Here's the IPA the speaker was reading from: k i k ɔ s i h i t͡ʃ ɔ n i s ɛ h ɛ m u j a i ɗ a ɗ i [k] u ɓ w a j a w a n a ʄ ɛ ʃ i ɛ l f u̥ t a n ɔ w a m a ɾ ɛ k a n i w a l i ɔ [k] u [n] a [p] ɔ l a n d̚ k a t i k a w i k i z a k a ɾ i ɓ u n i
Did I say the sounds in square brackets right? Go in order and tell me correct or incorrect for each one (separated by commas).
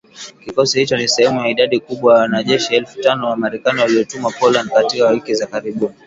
correct, incorrect, incorrect, correct